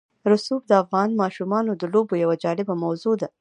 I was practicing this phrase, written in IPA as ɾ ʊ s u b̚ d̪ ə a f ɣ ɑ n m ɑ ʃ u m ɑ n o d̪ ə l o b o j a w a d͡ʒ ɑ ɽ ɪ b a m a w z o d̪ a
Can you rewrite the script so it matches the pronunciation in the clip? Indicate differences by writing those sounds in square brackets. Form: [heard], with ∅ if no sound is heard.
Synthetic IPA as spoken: ɾ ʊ s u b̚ d̪ ə a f ɣ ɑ n m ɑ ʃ u m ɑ n o d̪ ə l o b o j a w a d͡ʒ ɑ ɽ ɪ b a m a w z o d̪ a